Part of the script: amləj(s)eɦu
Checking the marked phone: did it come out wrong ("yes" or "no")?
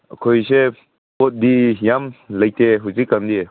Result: yes